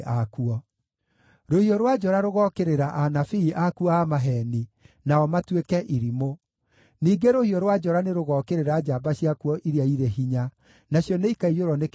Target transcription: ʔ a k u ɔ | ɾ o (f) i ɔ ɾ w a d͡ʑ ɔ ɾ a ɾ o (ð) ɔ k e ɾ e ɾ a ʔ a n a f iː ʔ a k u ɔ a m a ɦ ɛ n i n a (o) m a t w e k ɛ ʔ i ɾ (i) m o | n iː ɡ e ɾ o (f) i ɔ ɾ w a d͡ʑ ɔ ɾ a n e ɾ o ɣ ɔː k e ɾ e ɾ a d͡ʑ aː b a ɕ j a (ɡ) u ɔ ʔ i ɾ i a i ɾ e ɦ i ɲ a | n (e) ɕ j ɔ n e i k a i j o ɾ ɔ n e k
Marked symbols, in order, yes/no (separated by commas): no, no, no, yes, no, no, no